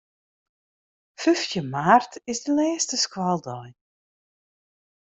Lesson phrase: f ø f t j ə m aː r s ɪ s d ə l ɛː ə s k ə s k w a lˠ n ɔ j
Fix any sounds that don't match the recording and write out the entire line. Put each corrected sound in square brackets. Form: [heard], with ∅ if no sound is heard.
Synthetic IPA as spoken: f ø f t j ə m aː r [t] ɪ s d ə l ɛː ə s [t] ə s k w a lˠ [d] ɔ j

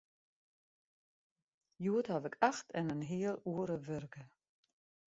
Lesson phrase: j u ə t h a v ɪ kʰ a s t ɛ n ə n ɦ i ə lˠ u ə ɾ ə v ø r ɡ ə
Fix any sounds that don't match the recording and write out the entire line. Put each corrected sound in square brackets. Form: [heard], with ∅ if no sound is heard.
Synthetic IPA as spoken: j u ə t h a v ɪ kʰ a [x] t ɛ n ə n ɦ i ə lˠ u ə ɾ ə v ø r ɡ ə

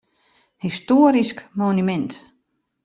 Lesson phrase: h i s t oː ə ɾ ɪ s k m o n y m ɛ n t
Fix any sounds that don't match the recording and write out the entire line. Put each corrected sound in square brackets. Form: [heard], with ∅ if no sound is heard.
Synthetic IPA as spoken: h i s t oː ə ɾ [i] s k m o n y m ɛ n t

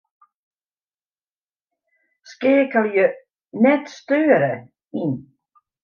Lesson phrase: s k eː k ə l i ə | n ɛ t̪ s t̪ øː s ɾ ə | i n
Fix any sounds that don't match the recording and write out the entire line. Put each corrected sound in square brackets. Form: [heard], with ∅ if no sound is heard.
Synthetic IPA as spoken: s k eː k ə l [j] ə | n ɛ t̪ s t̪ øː [∅] ɾ ə | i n

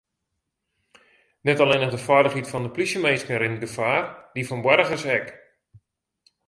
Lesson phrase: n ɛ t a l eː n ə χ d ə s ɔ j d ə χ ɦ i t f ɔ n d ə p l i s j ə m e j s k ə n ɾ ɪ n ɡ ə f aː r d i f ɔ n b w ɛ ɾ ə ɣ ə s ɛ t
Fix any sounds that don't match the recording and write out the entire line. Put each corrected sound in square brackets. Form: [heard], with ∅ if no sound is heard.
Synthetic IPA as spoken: n ɛ t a l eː n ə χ d ə [f] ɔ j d ə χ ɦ i t f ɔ n d ə p l i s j ə m e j s k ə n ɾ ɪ n ɡ ə f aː r d i f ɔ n b w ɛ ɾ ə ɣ ə s ɛ [k]

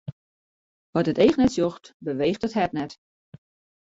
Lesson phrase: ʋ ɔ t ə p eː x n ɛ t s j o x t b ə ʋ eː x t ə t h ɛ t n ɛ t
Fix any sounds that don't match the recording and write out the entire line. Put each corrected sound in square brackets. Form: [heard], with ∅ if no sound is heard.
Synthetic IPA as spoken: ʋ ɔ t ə [t] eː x n ɛ t s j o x t b ə ʋ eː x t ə t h ɛ t n ɛ t

